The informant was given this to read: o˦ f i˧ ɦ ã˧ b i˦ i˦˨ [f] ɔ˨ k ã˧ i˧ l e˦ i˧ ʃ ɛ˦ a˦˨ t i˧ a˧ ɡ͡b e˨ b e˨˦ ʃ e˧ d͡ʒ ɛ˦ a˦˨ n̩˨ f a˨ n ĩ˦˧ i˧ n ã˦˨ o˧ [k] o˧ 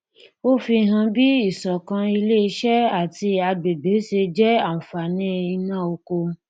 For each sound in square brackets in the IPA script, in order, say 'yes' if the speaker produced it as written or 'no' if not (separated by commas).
no, yes